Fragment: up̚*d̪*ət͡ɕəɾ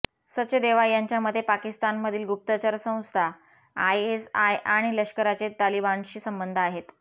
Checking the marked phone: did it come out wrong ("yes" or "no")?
yes